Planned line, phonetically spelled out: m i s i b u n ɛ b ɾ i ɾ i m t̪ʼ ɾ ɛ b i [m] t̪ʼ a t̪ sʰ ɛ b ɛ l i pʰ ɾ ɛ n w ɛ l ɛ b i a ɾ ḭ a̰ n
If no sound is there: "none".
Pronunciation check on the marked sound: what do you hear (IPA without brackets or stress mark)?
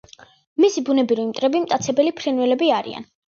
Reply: m